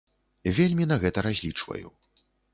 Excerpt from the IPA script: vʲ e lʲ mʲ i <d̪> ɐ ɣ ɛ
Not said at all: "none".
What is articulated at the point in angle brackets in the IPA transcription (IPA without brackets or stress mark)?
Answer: n̪